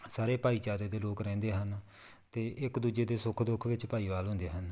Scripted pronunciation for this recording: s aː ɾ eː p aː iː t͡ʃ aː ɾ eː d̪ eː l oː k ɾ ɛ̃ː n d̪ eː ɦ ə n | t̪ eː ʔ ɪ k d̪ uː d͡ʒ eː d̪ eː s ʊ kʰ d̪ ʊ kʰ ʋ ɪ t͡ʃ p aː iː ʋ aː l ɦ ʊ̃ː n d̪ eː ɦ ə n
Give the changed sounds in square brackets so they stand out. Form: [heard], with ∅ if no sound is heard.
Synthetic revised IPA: s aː ɾ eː p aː iː t͡ʃ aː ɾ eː d̪ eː l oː k ɾ ɛ̃ː n d̪ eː ɦ ə n | t̪ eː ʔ ɪ k d̪ uː d͡ʒ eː d̪ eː s ʊ kʰ d̪ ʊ kʰ ʋ ɪ t͡ʃ p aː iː ʋ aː l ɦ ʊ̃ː n d̪ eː ɦ ə n